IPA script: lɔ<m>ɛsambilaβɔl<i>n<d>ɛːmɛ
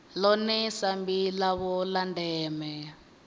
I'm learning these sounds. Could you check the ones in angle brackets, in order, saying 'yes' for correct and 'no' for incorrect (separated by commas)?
no, no, yes